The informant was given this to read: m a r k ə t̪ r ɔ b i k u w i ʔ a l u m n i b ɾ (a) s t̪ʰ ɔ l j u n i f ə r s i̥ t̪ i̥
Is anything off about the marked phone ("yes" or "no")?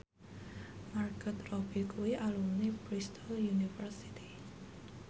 yes